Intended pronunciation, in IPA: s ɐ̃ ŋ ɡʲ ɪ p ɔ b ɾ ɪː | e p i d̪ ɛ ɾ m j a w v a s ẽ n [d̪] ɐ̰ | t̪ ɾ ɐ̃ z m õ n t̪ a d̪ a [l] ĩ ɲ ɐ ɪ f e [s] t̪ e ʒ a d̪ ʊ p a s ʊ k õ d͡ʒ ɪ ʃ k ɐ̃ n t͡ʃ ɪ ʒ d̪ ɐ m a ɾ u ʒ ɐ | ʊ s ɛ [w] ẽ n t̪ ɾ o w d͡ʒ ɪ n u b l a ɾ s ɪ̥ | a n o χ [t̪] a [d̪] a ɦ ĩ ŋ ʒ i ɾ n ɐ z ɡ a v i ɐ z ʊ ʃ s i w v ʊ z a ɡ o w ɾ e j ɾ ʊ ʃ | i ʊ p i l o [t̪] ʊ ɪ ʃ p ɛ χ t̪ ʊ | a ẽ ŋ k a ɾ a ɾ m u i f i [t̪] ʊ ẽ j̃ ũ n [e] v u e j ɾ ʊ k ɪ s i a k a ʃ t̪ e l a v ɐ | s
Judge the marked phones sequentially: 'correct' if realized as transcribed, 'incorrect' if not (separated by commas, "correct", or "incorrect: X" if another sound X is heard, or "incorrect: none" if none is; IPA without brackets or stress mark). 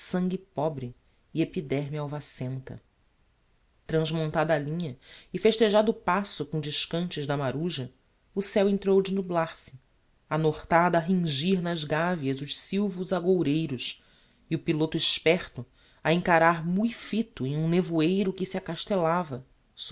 incorrect: t̪, correct, incorrect: ʃ, correct, correct, correct, correct, correct, correct